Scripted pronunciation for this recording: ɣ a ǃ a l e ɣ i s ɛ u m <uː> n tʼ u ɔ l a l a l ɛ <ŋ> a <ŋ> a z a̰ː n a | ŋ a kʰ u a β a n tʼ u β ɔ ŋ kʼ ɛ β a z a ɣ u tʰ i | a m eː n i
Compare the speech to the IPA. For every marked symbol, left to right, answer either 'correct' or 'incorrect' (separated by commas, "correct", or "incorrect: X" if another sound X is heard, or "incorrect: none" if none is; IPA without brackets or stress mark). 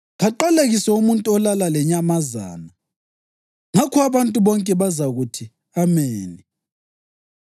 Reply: incorrect: u, incorrect: ɲ, incorrect: m